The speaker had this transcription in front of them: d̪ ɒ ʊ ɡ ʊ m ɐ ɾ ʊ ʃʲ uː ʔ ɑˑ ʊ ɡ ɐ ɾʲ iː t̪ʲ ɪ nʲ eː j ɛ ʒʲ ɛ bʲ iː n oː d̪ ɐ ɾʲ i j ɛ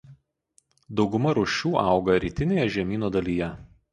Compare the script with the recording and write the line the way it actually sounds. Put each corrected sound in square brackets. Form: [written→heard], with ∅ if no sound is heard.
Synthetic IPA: d̪ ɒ ʊ ɡ ʊ m ɐ ɾ ʊ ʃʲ uː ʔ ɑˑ ʊ ɡ ɐ ɾʲ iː t̪ʲ ɪ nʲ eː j ɛ ʒʲ ɛ [bʲ→mʲ] iː n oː d̪ ɐ [ɾʲ→lʲ] i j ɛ